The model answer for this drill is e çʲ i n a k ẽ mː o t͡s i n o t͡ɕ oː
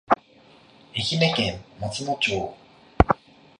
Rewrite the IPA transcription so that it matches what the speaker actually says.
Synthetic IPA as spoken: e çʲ i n e k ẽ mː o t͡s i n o t͡ɕ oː